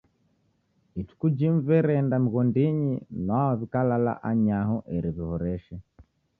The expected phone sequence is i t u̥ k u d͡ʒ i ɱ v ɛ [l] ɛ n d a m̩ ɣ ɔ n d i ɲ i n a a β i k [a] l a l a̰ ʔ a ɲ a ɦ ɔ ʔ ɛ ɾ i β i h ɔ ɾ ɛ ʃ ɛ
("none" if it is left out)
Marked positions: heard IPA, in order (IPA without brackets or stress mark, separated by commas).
ɾ, a